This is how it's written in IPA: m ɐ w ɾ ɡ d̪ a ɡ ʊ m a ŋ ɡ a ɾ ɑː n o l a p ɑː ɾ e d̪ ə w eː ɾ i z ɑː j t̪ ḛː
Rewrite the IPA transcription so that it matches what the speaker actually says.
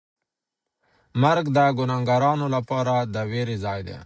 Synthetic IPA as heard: m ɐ ɾ ɡ d̪ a ɡ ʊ n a ŋ ɡ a ɾ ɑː n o l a p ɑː ɾ a d̪ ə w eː ɾ i z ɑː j d̪ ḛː